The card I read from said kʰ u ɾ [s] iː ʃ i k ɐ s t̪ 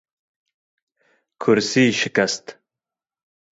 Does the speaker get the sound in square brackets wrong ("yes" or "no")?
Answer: no